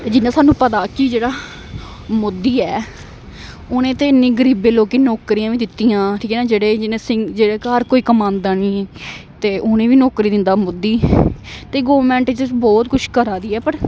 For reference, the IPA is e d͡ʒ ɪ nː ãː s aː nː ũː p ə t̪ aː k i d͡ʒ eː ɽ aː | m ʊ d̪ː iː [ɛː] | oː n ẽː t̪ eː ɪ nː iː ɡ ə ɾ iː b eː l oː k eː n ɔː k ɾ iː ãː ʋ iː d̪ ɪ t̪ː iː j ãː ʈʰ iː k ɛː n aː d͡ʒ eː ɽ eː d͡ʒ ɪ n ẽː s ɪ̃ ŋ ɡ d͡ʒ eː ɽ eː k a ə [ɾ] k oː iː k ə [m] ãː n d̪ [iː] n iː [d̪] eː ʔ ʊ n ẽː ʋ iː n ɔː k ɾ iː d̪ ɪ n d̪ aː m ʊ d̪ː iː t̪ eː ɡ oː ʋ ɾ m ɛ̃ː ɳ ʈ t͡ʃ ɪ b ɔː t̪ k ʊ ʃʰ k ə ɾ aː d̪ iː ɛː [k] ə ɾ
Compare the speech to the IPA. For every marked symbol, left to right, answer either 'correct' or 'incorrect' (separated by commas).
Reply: correct, correct, correct, incorrect, incorrect, incorrect